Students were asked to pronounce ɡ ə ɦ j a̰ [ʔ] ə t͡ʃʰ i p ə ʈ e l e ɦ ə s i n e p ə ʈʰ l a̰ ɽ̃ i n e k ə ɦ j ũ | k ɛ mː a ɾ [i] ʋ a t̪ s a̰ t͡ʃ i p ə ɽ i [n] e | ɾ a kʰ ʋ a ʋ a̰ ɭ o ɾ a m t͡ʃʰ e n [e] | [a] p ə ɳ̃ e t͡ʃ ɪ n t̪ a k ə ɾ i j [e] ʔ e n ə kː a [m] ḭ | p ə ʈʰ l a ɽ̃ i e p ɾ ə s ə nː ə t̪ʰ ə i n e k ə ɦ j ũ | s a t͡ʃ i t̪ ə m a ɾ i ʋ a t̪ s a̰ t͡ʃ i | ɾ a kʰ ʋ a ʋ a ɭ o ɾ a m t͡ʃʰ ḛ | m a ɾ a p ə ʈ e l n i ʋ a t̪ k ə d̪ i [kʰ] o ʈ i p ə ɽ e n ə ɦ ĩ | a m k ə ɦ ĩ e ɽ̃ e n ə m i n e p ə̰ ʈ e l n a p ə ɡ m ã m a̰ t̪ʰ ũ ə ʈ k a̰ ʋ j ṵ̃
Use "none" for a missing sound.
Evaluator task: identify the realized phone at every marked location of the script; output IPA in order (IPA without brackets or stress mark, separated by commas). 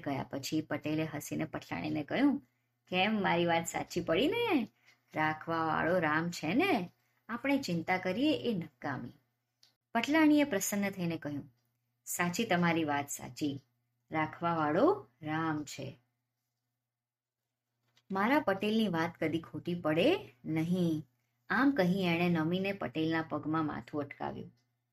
p, i, n, e, a, e, m, kʰ